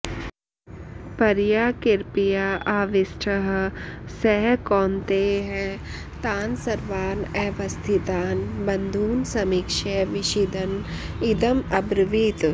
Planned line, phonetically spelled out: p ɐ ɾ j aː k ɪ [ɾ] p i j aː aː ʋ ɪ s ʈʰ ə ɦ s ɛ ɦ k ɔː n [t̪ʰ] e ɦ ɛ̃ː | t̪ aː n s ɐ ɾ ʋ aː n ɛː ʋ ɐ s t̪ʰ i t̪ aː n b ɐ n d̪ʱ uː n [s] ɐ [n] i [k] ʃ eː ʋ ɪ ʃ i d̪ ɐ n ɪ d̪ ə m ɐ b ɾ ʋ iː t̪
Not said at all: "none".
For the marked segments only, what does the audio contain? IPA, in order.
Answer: ɾ, t̪, s, m, k

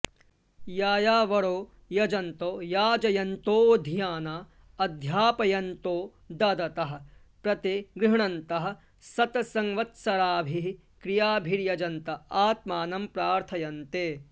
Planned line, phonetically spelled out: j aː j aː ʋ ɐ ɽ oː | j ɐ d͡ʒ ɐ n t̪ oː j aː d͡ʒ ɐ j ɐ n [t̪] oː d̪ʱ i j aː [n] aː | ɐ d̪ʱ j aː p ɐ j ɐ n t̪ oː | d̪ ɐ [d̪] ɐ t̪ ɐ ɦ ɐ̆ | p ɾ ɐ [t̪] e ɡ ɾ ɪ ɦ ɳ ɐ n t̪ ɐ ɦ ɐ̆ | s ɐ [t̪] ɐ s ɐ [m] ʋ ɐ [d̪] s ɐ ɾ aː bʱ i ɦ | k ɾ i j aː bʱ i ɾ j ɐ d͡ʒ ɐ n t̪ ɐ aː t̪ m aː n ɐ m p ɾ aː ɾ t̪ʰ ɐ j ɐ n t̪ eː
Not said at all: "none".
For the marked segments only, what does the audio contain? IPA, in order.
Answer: t̪, n, d̪, t̪, t̪, ŋ, t̪

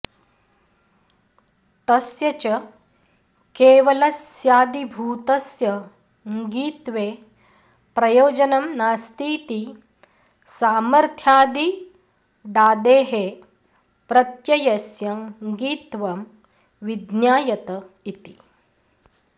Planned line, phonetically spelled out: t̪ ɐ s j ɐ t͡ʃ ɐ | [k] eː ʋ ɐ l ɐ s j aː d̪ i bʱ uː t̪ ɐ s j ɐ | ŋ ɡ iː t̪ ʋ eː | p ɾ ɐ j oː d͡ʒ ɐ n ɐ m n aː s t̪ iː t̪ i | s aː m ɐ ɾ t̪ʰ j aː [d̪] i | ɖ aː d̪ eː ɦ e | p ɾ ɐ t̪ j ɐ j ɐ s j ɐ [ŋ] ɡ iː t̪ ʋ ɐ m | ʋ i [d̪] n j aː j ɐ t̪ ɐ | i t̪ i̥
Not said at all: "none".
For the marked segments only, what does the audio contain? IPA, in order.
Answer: k, d̪, ŋ, d̪

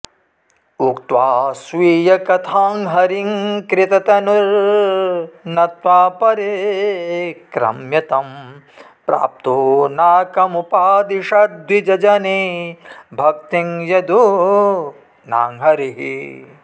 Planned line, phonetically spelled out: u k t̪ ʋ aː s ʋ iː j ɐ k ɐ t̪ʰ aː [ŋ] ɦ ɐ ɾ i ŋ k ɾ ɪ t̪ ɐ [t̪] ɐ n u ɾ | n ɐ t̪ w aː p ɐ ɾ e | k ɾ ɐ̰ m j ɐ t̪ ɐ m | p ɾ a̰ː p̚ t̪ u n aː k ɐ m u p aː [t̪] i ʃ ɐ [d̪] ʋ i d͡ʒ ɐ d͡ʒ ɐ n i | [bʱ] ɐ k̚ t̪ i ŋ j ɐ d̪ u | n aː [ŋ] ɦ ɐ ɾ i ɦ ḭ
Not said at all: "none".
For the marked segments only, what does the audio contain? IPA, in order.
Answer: ŋ, t̪, d̪, d̪, bʱ, ŋ

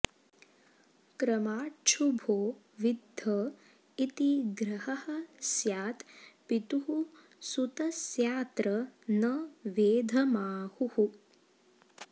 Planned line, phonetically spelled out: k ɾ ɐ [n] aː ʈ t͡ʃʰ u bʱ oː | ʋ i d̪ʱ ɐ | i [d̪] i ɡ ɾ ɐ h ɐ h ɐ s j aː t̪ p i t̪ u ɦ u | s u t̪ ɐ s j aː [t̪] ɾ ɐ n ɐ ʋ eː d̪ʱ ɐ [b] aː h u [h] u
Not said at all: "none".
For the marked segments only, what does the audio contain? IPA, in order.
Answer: m, t̪, t̪, m, h

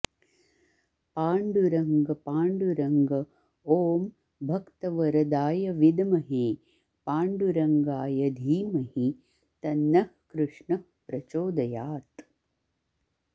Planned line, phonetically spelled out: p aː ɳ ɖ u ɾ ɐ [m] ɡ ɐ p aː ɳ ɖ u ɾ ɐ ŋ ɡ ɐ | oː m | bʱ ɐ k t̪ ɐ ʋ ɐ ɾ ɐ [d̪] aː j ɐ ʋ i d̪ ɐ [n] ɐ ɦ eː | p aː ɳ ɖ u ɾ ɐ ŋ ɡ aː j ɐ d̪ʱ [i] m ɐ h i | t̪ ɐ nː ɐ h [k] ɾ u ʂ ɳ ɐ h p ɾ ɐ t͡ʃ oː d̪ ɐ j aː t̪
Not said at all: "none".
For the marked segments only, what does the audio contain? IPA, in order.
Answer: ŋ, d̪, m, iː, k

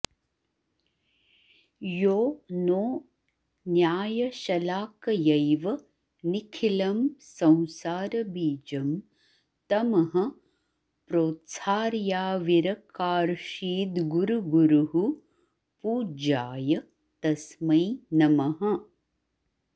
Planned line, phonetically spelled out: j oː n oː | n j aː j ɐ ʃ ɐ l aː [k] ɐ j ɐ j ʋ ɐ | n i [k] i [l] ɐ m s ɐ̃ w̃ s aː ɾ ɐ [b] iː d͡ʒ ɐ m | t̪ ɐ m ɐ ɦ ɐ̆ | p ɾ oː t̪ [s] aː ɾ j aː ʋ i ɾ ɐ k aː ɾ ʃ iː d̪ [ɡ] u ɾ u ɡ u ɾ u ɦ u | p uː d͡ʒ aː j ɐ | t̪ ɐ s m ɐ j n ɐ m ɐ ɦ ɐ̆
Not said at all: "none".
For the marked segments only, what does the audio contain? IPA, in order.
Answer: k, kʰ, l, b, s, ɡ

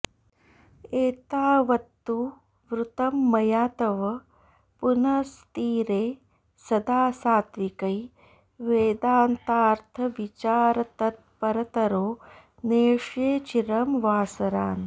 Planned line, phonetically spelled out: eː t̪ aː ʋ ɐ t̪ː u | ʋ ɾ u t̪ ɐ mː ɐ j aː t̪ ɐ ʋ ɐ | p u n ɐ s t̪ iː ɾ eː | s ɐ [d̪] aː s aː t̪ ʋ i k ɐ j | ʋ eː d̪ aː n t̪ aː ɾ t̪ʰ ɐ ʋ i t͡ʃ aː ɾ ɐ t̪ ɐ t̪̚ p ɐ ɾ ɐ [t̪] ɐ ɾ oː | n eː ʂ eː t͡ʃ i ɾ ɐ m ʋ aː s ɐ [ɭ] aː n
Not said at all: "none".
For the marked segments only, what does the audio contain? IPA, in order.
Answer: d̪, t̪, ɾ

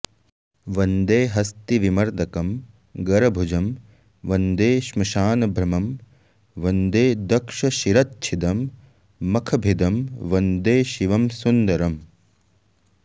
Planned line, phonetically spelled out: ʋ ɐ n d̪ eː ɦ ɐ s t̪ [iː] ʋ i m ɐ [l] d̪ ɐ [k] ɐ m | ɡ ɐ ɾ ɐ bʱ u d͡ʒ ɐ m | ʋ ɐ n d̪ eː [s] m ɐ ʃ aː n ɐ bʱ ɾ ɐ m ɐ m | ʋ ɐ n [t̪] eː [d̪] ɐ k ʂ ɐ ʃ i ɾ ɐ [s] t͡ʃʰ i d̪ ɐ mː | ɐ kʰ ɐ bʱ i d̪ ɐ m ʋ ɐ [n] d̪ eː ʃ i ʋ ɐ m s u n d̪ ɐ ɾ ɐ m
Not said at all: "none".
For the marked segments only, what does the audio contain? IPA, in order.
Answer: i, ɾ, k, ʃ, d̪, d̪, t, n

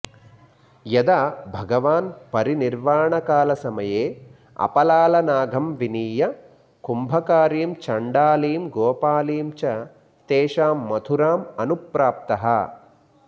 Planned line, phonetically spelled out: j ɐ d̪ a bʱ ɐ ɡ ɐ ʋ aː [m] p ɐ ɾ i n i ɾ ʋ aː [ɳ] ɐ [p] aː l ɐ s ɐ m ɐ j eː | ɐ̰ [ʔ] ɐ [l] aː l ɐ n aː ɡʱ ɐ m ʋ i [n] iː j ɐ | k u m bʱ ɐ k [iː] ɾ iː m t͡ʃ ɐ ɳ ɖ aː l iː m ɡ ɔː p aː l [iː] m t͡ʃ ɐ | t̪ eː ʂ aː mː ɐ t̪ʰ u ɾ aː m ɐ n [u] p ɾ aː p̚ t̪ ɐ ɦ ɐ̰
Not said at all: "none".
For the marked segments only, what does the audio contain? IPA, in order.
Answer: n, ɳ, k, p, l, n, aː, iː, u

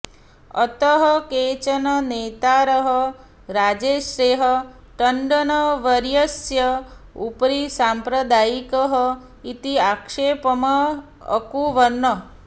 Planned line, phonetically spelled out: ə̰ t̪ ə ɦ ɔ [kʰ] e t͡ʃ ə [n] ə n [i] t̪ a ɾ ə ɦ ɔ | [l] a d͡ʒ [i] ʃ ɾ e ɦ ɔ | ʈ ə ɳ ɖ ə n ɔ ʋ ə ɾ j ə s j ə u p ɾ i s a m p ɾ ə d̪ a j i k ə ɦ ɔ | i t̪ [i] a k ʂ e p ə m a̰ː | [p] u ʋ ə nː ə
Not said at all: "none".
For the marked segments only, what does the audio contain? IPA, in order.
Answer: k, n, e, ɾ, e, i, k

